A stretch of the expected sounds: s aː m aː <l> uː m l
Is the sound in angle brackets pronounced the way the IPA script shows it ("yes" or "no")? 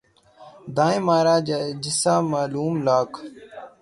yes